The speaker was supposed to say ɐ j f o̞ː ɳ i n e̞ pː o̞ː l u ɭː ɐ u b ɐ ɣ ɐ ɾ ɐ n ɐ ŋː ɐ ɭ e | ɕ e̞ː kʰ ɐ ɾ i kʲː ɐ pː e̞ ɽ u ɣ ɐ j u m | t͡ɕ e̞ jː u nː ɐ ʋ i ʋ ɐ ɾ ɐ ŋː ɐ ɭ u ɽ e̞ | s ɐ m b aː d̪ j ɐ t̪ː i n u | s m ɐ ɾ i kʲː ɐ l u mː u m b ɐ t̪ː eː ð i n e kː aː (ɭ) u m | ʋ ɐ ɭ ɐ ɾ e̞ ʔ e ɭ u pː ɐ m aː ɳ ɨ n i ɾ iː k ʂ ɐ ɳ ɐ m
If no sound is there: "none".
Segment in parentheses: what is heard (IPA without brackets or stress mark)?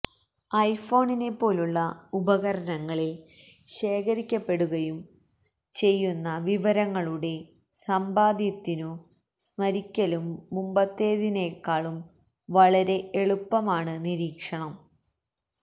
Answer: ɭ